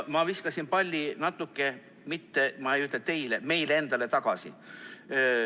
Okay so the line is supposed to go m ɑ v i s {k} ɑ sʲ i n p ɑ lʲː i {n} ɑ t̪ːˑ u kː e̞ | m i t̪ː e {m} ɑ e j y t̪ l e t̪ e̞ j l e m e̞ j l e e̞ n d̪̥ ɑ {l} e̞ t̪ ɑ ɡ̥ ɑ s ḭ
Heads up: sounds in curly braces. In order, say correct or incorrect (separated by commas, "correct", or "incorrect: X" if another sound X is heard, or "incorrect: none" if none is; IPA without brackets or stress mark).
correct, correct, correct, correct